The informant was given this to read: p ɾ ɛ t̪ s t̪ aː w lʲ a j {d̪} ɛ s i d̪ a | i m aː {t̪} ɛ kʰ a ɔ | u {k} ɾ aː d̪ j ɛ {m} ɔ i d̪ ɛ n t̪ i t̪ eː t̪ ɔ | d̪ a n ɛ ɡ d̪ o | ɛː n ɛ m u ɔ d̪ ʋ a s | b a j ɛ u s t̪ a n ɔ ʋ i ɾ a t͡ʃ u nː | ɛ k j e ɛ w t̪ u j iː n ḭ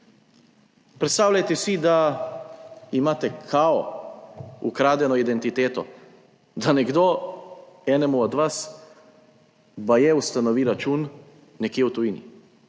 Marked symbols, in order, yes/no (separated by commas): no, yes, yes, no